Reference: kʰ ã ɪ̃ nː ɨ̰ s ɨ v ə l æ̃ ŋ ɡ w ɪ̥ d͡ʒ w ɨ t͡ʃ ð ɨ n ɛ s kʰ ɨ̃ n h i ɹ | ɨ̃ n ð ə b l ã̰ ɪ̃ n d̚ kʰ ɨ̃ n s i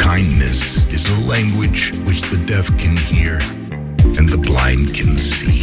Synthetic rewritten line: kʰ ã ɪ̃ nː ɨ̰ s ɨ z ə l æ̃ ŋ ɡ w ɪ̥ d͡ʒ w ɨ t͡ʃ ð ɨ d ɛ θ kʰ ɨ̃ n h i ɹ | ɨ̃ n ð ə b l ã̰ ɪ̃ n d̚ kʰ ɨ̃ n s i